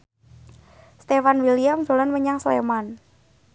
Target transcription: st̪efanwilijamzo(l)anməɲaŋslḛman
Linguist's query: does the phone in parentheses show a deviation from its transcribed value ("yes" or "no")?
no